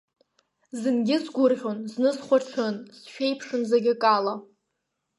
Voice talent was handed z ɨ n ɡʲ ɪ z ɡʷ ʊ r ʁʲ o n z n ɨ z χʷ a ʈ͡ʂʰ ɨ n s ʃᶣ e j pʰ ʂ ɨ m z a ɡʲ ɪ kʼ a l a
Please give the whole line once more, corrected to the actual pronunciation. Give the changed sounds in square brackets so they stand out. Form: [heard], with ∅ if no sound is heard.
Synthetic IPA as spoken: z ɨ n ɡʲ ɪ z ɡʷ ʊ r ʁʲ o n z n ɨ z χʷ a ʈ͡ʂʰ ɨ n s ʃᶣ e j pʰ ʂ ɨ [n] z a ɡʲ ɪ kʼ a l a

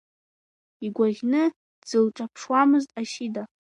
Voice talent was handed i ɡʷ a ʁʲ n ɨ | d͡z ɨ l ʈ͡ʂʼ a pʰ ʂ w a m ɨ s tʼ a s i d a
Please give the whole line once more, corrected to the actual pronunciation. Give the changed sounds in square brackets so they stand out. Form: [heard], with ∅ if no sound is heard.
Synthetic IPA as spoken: i ɡʷ a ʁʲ n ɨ | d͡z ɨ l ʈ͡ʂʼ a pʰ ʂ w a m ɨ [z] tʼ a [ʃ] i d a

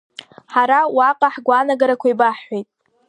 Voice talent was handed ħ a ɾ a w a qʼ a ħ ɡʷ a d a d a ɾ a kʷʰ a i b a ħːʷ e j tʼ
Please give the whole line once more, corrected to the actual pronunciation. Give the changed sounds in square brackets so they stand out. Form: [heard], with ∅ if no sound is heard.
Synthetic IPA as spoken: ħ a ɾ a w a qʼ a ħ ɡʷ a [n] a [ɡ] a ɾ a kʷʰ a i b a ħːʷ e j tʼ

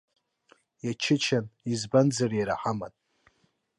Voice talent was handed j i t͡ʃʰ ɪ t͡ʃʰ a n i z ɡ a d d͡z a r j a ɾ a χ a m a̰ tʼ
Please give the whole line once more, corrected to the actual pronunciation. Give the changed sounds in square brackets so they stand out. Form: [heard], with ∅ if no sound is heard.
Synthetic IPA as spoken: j [a] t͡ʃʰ ɪ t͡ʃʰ a n i z [b] a [n] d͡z a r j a ɾ a [ħ] a m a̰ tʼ

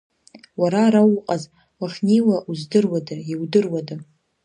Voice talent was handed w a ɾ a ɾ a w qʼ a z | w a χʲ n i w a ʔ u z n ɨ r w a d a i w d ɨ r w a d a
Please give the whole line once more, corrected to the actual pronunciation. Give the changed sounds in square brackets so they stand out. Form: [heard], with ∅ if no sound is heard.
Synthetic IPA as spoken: w a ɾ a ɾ a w qʼ a z | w a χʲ n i w a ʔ u z [d] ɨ r w a d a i w d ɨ r w a d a

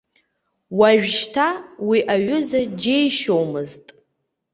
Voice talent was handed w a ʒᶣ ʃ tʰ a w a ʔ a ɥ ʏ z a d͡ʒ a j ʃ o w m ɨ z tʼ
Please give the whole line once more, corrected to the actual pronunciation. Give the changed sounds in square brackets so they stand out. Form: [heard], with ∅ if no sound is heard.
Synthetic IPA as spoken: w a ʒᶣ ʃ tʰ a w [i] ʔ a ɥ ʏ z a d͡ʒ [e] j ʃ o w m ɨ z tʼ

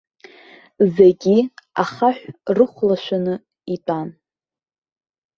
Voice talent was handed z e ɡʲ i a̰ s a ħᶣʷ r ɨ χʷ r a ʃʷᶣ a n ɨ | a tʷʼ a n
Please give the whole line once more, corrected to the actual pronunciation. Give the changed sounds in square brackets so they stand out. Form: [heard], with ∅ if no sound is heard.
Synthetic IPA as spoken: z e ɡʲ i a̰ [χ] a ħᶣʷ r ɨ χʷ [l] a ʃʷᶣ a n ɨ | [i] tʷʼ a n

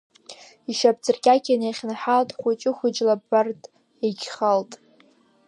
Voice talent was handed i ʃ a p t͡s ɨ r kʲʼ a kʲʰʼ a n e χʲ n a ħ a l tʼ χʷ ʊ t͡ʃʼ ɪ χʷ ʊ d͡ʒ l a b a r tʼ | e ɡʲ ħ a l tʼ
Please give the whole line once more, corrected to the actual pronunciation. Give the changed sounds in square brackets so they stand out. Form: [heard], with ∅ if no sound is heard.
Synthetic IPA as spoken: i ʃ a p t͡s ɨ r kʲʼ a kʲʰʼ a n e χʲ n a ħ a l tʼ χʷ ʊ t͡ʃʼ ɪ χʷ ʊ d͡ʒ l a b a r tʼ | e ɡʲ [χ] a l tʼ

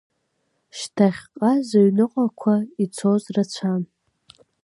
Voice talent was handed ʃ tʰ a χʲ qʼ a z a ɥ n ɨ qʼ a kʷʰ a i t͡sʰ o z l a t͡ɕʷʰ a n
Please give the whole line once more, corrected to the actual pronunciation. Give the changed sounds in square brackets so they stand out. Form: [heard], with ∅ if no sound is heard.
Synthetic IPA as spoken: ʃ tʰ a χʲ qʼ a z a ɥ n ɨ qʼ a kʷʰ a i t͡sʰ o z [r] a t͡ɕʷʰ a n

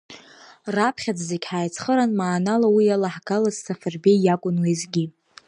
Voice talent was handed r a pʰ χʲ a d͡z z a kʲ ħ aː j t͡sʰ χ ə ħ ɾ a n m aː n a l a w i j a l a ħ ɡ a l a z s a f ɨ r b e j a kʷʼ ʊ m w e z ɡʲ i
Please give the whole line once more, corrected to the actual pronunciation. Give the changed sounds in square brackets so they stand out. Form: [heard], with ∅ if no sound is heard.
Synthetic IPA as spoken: r a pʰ χʲ a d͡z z [e] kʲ ħ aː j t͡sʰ χ ə [∅] ɾ a n m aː n a l a w i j a l a ħ ɡ a l a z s a f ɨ r b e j a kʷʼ ʊ [n] w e z ɡʲ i

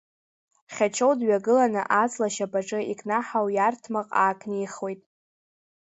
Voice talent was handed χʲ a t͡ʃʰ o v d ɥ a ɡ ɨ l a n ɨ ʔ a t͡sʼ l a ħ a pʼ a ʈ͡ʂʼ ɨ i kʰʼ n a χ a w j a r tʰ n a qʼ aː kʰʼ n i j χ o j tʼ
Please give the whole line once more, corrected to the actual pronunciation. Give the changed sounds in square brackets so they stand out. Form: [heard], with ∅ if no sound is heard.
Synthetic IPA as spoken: χʲ a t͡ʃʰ o [w] d ɥ a ɡ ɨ l a n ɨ ʔ a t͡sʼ l a [ʃ] a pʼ a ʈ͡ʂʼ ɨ i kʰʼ n a [ħ] a w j a r tʰ [m] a qʼ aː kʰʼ n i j χ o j tʼ

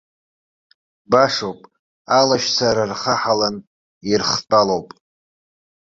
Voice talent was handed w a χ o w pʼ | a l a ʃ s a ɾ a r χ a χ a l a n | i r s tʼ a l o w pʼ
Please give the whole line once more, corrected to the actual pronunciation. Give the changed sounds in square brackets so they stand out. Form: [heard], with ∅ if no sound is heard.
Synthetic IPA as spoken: [b] a [ʂ] o w pʼ | a l a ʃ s a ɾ a r χ a [ħ] a l a n | i r [χ] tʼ a l o w pʼ

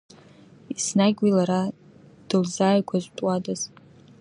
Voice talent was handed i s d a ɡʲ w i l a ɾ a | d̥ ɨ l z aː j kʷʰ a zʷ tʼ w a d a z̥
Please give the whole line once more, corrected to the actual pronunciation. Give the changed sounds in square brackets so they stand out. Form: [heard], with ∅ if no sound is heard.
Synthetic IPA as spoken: i s [n] a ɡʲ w i l a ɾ a | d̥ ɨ l z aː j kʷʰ a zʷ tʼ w a d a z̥

